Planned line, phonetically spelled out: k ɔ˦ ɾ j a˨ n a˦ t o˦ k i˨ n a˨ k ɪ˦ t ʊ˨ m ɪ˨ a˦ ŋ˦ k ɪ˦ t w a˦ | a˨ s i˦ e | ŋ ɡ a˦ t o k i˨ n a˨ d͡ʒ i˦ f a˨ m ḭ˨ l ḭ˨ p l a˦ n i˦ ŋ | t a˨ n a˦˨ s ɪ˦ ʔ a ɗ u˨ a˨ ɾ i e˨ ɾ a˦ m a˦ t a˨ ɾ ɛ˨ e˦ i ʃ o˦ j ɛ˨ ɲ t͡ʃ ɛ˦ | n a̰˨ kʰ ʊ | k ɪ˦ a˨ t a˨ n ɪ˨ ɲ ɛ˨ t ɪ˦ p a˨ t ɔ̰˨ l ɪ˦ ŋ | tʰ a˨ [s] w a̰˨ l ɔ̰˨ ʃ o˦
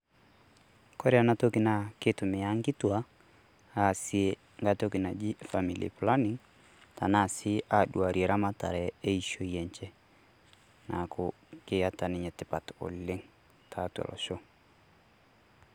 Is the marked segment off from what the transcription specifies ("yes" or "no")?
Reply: yes